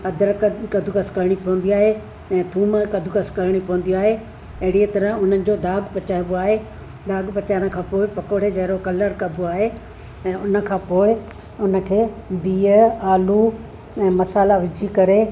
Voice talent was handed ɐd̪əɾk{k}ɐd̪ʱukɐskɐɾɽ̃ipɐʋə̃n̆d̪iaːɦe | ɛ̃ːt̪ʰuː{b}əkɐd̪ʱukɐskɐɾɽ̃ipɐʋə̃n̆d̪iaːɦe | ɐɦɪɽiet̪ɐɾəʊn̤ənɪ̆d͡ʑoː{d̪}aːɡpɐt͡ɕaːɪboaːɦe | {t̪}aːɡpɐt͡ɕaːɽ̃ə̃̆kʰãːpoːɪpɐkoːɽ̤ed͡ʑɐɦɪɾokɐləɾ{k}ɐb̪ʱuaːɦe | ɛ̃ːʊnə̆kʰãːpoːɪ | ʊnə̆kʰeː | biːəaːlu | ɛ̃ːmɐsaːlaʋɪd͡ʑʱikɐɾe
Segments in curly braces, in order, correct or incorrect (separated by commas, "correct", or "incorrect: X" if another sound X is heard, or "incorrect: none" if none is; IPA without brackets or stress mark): correct, incorrect: m, correct, incorrect: d̪, correct